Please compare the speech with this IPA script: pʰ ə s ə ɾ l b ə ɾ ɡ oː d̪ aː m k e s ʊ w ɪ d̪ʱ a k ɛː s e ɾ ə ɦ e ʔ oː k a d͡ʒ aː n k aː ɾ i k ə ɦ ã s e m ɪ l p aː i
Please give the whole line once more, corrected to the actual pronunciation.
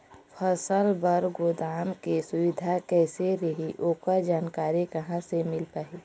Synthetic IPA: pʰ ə s ə l b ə ɾ ɡ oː d̪ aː m k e s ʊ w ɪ d̪ʱ a k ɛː s e ɾ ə ɦ i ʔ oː k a d͡ʒ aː n k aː ɾ i k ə ɦ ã s e m ɪ l p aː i